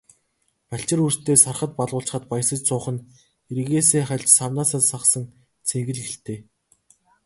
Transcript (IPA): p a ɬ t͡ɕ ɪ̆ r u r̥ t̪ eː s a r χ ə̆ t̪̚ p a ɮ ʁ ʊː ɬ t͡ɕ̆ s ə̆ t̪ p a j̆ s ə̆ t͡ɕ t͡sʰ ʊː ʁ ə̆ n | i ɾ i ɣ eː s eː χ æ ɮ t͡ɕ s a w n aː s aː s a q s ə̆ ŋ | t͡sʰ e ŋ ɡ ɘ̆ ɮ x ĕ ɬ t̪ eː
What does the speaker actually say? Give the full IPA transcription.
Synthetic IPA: p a ɬ t͡ɕ ɪ̆ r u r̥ t̪ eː s a r χ ə̆ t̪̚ p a ɮ ʁ ʊː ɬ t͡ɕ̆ χ ə̆ t̪ p a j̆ s ə̆ t͡ɕ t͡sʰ ʊː χ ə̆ n | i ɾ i ɣ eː s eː χ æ ɮ t͡ɕ s a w n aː s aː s a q s ə̆ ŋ | t͡sʰ e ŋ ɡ ɘ̆ ɮ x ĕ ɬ t̪ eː

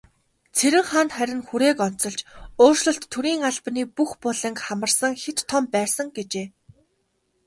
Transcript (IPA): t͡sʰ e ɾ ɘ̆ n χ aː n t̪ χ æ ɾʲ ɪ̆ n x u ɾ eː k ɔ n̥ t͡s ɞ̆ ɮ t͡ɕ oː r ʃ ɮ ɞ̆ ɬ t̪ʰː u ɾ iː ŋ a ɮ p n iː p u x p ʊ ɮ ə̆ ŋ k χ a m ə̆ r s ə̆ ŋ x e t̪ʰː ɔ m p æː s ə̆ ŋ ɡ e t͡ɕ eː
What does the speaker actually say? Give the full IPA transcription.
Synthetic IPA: t͡sʰ e ɾ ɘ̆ ŋ χ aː n t̪ χ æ ɾʲ ɪ̆ n x u ɾ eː k ɔ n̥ t͡s ɞ̆ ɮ t͡ɕ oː r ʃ ɮ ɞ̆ ɬ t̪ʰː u ɾ iː ŋ a ɮ p n iː p u x p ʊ ɮ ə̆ ŋ k χ a m ə̆ r s ə̆ ŋ x e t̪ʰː ɔ m p æː s ə̆ ŋ ɡ e t͡ɕ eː

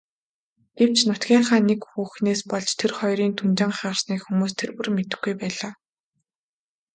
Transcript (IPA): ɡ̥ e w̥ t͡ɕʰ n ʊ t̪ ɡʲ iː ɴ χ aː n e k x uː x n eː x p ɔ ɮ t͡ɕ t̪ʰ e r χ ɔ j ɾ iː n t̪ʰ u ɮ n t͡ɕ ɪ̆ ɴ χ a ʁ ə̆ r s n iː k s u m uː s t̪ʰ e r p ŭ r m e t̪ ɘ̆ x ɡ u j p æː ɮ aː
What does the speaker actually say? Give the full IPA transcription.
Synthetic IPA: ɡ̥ e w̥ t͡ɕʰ n ʊ t̪ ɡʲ iː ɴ χ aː n e k x uː x n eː s p ɔ ɮ t͡ɕ t̪ʰ e r χ ɔ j ɾ iː n t̪ʰ u n t͡ɕ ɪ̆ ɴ χ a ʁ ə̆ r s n iː k x u m uː s t̪ʰ e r p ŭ r m e t̪ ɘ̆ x ɡ u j p æː ɮ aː

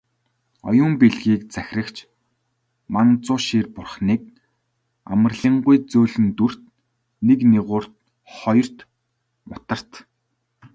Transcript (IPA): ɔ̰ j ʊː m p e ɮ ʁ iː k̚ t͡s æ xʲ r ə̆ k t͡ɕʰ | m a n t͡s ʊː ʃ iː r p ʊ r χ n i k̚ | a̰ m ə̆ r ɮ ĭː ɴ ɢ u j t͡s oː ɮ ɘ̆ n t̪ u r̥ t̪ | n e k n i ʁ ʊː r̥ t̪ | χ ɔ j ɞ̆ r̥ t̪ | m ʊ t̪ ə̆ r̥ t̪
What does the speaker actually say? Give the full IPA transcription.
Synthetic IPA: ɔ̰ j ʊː m p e ɮ ɣ iː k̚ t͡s æ xʲ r ə̆ k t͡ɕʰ | m a n t͡s ʊː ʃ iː r p ʊ r χ n iː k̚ | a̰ m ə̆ r ɮ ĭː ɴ ɢ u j t͡s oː ɮ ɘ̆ n t̪ u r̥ t̪ | n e k n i ʁ ʊː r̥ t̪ | χ ɔ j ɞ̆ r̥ t̪ | m ʊ t̪ ə̆ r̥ t̪

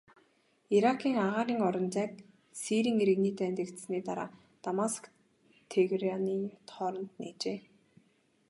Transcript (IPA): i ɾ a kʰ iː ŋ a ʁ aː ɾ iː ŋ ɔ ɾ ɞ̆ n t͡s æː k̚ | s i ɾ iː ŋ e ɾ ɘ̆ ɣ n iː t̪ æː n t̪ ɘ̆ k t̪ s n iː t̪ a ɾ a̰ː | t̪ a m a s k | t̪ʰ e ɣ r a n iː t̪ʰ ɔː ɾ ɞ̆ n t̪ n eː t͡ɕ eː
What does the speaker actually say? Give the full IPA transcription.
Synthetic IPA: i ɾ a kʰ iː ŋ a ʁ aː ɾ iː ŋ ɔ ɾ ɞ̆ n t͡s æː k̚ | s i ɾ iː ŋ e ɾ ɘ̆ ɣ n iː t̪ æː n t̪ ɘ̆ k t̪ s n iː t̪ a ɾ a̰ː | t̪ a m a s k | t̪ʰ e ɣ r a n iː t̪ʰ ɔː ɾ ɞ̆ n t̪ n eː t͡ɕ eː

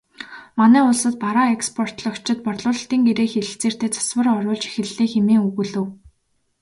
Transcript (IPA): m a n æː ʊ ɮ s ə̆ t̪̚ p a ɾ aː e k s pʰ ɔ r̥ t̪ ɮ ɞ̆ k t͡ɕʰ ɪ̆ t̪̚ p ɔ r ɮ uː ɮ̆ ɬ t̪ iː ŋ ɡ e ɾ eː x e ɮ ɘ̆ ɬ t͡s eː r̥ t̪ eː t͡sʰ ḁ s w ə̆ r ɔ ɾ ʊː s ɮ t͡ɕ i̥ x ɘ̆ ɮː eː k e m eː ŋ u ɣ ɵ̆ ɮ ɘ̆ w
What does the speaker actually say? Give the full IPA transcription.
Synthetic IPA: m a n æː ʊ ɮ s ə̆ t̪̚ p a ɾ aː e k s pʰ ɔ r̥ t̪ ɮ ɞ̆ k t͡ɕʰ ɪ̆ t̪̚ p ɔ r ɮ ʊː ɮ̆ ɬ t̪ iː ŋ ɡ e ɾ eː x e ɮ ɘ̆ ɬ t͡s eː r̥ t̪ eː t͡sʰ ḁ s w ə̆ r ɔ ɾ ʊː ɮ t͡ɕ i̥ x ɘ̆ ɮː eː x e m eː ŋ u ɣ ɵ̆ ɮ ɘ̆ w

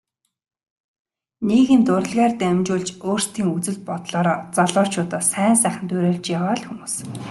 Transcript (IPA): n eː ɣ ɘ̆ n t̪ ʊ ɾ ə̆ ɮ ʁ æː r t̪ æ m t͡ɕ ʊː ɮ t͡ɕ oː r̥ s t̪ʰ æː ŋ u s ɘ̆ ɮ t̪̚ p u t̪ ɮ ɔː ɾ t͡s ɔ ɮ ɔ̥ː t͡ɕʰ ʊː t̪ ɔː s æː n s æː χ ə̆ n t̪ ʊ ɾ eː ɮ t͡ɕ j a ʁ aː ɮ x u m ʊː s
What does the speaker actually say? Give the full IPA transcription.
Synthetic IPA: n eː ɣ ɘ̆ n t̪ ʊ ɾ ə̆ ɮ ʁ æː r t̪ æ m t͡ɕ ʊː ɮ t͡ɕ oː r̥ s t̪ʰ iː ŋ u t͡s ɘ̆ ɮ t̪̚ p ɔ t̪ ɮ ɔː ɾ t͡s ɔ ɮ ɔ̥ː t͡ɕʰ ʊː t̪ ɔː s æː n s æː χ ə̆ n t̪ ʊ ɾ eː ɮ t͡ɕ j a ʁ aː ɮ x u m uː s

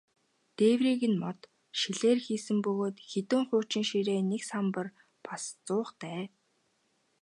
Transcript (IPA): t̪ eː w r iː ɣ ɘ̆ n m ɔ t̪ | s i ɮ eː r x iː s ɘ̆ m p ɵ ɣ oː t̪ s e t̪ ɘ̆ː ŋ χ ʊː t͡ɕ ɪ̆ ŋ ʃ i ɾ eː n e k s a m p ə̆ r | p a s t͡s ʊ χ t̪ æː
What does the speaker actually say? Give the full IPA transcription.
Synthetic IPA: t̪ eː w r iː ɣ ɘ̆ n m ɔ t̪ | ʃ i ɮ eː r x iː s ɘ̆ m p ɵ ɣ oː t̪ x e t̪ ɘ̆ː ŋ χ ʊː t͡ɕ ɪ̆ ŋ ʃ i ɾ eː n e k s a m p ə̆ r | p a s t͡s ʊː χ t̪ æː

